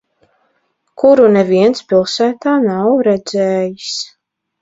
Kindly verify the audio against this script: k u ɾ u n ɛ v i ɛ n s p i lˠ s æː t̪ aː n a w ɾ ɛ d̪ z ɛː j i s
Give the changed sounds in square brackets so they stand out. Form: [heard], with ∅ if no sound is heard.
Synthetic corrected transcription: k u ɾ u n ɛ v i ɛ n s p i lˠ s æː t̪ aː n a w ɾ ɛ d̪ z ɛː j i s